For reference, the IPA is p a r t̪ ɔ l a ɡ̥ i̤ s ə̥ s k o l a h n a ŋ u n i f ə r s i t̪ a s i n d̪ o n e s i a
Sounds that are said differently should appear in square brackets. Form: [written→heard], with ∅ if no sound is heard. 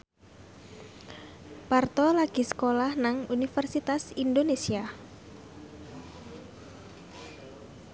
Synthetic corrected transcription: p a r t̪ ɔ l a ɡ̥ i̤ s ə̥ [s→∅] k o l a h n a ŋ u n i f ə r s i t̪ a s i n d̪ o n e s i a